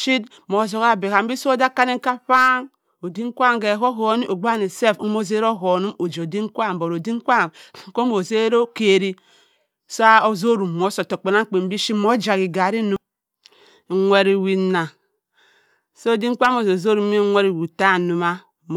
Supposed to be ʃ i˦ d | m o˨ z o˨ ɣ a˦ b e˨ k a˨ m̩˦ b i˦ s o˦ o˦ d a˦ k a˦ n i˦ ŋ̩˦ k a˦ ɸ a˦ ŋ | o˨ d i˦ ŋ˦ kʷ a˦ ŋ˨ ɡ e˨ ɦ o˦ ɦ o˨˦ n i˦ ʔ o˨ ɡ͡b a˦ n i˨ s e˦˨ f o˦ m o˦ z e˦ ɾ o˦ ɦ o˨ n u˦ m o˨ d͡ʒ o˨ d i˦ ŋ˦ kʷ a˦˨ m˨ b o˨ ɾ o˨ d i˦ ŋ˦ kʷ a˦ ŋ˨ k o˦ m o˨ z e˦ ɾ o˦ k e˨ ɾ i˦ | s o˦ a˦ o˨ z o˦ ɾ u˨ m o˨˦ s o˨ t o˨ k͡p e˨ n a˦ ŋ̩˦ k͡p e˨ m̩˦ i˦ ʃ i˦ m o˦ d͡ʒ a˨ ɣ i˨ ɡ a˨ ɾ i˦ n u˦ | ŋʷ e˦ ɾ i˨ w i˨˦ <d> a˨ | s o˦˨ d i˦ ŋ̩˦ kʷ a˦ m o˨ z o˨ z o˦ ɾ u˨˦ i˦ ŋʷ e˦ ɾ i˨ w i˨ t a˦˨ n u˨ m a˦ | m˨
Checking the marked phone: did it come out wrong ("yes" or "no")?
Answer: yes